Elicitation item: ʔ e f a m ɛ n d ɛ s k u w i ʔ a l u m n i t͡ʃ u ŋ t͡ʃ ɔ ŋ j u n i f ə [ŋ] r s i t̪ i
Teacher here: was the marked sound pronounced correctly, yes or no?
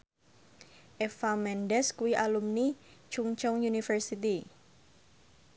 no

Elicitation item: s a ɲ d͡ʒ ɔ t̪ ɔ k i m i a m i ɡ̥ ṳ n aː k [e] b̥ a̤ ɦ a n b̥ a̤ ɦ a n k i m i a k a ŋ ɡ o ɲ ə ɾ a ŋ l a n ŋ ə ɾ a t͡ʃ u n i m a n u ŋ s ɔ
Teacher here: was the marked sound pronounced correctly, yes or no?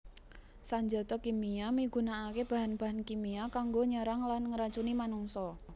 yes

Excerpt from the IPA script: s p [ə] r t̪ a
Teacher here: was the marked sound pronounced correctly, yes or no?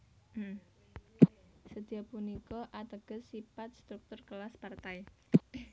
no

